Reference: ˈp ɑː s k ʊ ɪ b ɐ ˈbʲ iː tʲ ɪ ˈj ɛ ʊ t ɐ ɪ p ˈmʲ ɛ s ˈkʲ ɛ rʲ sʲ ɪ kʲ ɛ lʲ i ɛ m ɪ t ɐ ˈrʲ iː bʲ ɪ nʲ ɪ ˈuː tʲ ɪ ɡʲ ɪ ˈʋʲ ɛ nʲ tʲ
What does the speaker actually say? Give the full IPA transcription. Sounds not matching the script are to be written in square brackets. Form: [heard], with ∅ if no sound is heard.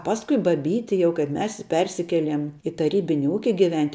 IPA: ˈp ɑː s k ʊ ɪ b ɐ ˈbʲ iː tʲ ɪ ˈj ɛ ʊ [k] ɐ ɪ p ˈmʲ ɛ s [ˈpʲ] ɛ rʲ sʲ ɪ kʲ ɛ lʲ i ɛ m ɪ t ɐ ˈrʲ iː bʲ ɪ nʲ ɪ ˈuː [kʲ] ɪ ɡʲ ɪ ˈʋʲ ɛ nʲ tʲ